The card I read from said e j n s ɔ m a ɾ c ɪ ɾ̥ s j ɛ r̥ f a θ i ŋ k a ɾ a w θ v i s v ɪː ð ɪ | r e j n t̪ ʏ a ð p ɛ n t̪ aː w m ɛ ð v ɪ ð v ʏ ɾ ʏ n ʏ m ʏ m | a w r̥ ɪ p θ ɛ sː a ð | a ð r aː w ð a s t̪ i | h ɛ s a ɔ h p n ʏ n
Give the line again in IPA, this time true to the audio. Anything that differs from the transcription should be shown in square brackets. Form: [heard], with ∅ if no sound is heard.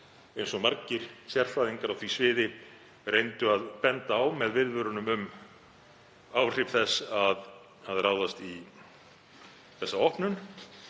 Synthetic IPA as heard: e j n s ɔ m a ɾ c ɪ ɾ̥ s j ɛ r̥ f a [ð] i ŋ k a ɾ a w θ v i s v ɪː ð ɪ | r e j n t̪ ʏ a ð p ɛ n t̪ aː w m ɛ ð v ɪ ð v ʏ ɾ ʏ n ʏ m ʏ m | a w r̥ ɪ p θ ɛ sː a ð | a ð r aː w ð a s t̪ i | [θ] ɛ [sː] a ɔ h p n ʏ n